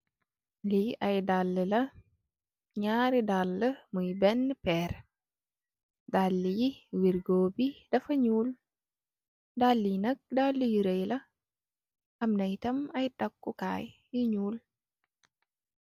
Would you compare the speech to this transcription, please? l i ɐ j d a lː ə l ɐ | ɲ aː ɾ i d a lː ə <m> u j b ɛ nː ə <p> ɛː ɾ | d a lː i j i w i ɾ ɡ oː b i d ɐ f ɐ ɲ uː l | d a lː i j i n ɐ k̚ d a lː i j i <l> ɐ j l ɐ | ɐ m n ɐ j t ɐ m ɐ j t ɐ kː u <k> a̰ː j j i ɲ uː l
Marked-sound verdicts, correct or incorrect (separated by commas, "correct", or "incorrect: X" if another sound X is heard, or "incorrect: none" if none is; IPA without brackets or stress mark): correct, correct, incorrect: ɾ, correct